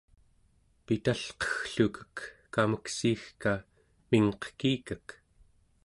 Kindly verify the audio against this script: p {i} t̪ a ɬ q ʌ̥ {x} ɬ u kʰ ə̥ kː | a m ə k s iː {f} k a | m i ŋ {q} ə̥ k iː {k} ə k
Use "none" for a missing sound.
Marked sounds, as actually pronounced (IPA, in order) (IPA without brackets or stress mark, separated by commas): i, x, x, q, k